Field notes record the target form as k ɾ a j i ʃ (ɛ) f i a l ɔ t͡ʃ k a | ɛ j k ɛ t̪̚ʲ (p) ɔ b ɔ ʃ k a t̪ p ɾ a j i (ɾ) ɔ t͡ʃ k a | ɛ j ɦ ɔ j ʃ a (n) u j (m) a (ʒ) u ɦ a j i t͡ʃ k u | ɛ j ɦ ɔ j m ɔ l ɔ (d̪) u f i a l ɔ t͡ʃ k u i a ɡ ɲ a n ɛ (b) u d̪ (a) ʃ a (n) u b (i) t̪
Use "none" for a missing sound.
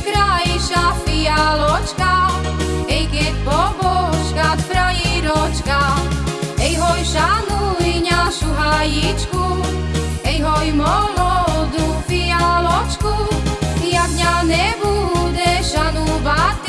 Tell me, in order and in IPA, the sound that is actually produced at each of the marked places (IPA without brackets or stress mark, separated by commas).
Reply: a, p, ɾ, n, ɲ, ʃ, d̪, b, ɛ, n, a